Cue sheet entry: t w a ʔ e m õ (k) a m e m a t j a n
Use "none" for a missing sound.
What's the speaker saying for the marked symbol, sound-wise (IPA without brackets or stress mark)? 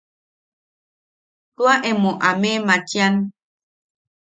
ʔ